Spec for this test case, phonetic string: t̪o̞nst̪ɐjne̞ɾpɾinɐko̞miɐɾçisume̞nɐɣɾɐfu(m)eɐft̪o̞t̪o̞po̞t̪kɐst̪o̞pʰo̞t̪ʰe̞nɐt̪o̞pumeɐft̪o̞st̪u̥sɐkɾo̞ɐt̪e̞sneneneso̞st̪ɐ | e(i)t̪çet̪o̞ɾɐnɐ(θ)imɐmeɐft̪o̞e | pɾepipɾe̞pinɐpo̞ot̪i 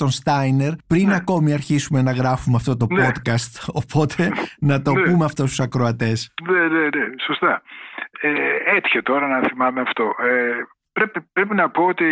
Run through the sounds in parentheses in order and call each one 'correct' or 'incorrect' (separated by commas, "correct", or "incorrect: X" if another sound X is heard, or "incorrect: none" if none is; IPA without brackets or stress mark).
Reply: correct, incorrect: e, correct